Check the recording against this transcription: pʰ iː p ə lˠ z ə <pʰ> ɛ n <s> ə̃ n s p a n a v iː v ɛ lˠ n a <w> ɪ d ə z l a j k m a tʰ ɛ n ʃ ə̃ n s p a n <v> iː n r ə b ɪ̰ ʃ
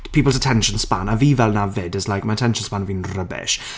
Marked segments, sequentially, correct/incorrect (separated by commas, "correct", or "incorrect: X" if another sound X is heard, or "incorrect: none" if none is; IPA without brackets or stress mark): incorrect: tʰ, incorrect: ʃ, incorrect: v, correct